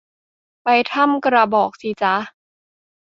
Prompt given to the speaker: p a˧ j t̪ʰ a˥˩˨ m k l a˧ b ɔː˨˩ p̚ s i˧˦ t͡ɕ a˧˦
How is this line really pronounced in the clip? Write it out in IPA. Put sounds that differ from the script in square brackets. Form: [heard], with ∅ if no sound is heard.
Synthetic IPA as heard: p a˧ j t̪ʰ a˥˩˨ m k [ɾ] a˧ b ɔː˨˩ [k̚] s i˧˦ t͡ɕ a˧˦